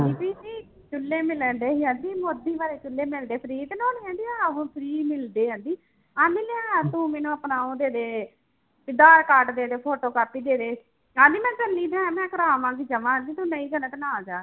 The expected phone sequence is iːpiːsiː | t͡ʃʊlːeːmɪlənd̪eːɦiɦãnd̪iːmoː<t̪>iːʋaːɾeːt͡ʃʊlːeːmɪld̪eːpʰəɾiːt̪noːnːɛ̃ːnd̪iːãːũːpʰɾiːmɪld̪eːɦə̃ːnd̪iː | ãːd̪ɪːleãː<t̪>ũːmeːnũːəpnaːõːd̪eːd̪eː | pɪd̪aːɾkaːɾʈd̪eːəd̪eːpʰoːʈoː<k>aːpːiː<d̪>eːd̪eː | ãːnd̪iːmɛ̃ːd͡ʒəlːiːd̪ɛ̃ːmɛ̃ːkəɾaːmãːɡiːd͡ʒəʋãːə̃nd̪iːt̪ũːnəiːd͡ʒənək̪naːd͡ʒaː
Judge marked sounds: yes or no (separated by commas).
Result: no, yes, yes, yes